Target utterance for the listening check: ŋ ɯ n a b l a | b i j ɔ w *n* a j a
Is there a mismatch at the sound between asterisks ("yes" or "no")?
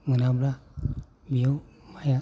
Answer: yes